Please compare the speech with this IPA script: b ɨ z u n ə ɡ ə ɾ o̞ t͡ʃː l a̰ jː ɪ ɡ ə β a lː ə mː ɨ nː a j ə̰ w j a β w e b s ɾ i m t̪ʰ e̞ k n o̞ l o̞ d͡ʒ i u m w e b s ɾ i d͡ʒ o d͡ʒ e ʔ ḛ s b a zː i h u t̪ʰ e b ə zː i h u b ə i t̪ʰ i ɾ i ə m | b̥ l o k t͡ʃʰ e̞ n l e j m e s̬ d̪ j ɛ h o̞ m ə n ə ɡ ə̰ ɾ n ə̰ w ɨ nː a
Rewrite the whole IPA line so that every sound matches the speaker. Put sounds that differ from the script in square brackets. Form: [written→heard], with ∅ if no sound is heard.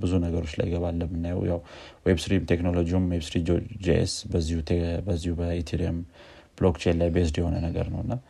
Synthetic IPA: b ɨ z u n ə ɡ ə ɾ o̞ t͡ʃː l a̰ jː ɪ ɡ ə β a lː ə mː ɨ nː a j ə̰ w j a [β→w] w e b s ɾ i m t̪ʰ e̞ k n o̞ l o̞ d͡ʒ i u m w e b s ɾ i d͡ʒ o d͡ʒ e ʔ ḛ s b [a→ə] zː i h u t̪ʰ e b ə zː i h u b ə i t̪ʰ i ɾ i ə m | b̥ l o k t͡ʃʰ e̞ n l [e→a] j [m→b] e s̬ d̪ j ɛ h o̞ [m→n] ə n ə ɡ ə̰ ɾ n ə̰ w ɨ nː a